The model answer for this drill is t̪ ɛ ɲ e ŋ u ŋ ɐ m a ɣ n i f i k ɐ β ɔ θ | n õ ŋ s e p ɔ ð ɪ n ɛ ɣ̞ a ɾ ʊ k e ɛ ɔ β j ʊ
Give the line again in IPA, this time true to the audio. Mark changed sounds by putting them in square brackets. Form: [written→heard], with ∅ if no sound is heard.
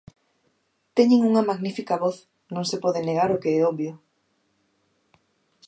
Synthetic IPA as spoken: t̪ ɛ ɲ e ŋ u ŋ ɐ m a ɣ n i f i k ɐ β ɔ θ | n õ ŋ s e p ɔ ð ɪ n [ɛ→e] ɣ̞ a ɾ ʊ k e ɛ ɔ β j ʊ